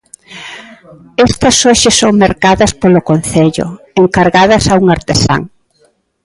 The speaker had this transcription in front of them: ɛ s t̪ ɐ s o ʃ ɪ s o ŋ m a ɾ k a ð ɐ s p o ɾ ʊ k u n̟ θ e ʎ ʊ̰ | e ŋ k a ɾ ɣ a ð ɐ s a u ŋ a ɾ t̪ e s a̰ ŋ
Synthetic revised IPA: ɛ s t̪ ɐ s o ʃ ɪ s o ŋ m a ɾ k a ð ɐ s p o l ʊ k o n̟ θ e ʎ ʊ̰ | e ŋ k a ɾ ɣ a ð ɐ s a u ŋ a ɾ t̪ e s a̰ ŋ

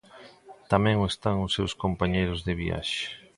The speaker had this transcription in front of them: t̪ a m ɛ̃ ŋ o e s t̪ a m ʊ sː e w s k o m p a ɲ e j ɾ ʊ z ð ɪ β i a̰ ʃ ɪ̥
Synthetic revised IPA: t̪ a m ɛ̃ ŋ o e s t̪ a ŋ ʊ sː e w s k o m p a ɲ e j ɾ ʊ z ð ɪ β i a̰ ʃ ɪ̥

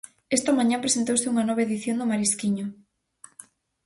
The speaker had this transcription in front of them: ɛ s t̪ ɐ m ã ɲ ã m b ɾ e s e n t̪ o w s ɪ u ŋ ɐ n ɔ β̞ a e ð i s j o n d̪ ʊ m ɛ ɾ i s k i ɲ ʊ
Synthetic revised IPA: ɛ s t̪ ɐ m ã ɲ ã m p ɾ e s e n t̪ o w s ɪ u ŋ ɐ n ɔ β̞ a e ð i θ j o n d̪ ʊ m a ɾ i s k i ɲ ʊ

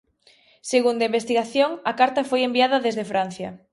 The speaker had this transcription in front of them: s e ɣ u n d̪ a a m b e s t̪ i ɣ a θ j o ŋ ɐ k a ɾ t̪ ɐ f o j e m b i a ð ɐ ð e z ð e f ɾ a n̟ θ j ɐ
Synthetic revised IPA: s e ɣ u n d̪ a i m b e s t̪ i ɣ a θ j o ŋ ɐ k a ɾ t̪ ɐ f o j e m b i a ð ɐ ð e z ð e f ɾ a n̟ θ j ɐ

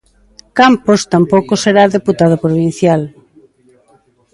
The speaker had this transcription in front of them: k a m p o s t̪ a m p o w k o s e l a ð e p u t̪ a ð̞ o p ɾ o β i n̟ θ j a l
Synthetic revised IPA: k a m p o s t̪ a m p o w k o s e ɾ a ð e p u t̪ a ð̞ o p ɾ o β i n̟ θ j a l

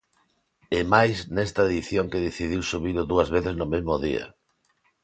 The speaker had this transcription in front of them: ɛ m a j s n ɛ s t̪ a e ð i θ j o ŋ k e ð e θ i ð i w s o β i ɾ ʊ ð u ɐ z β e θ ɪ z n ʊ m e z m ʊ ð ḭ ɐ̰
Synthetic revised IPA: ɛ m a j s n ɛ s t̪ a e ð i θ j o ŋ k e ð e θ i ð i w s u β i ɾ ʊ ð u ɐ z β e θ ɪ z n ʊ m e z m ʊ ð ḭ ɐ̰

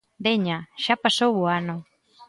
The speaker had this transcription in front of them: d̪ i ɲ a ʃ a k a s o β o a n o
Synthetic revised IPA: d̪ e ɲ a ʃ a p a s o w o a n o

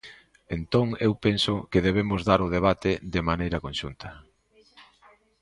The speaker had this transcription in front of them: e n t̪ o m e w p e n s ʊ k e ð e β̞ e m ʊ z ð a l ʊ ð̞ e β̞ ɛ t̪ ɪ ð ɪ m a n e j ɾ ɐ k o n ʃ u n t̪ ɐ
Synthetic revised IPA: e n t̪ o ŋ e w p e n s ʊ k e ð e β̞ e m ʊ z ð a ɾ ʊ ð̞ e β̞ a t̪ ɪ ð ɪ m a n e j ɾ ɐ k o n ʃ u n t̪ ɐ

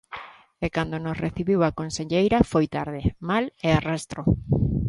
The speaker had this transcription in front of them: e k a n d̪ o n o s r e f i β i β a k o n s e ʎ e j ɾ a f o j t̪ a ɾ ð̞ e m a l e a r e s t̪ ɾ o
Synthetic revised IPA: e k a n d̪ o n o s r e θ i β i w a k o n s e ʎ e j ɾ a f o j t̪ a ɾ ð̞ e m a l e a r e s t̪ ɾ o

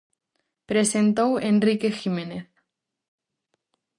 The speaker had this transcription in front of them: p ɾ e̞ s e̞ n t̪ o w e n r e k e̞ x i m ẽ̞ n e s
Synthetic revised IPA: p ɾ e̞ s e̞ n t̪ o w e n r i k e̞ x i m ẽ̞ n e θ

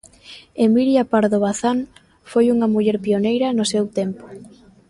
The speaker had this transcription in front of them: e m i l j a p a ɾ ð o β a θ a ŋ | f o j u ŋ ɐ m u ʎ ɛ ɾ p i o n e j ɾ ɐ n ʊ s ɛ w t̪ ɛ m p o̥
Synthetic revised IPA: e m i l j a p a ɾ ð o β a θ a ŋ | f o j u ŋ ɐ m u ʎ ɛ ɾ p i o n e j ɾ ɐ n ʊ s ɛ w t̪ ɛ m p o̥

